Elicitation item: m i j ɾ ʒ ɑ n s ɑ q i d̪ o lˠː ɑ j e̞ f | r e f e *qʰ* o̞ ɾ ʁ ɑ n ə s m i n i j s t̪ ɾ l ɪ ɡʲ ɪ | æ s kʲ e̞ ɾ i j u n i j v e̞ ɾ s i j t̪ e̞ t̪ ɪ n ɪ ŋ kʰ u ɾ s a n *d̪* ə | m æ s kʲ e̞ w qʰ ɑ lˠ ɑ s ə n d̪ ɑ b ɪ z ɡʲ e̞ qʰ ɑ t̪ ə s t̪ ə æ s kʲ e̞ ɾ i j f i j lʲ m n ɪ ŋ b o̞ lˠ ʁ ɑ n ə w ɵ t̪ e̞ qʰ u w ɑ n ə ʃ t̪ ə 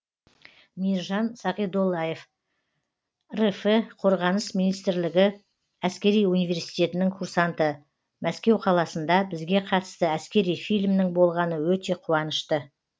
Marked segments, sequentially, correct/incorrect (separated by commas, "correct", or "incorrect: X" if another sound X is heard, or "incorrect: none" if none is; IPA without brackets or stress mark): correct, incorrect: t̪